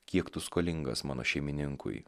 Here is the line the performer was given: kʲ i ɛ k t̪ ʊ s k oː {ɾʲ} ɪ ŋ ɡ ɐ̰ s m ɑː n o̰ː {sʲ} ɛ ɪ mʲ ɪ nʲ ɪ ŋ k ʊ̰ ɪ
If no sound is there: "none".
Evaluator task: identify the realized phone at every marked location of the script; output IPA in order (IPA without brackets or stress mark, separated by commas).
lʲ, ʃʲ